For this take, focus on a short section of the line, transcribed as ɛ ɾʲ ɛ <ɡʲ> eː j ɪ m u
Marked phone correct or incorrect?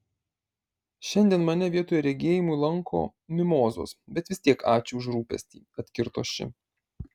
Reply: correct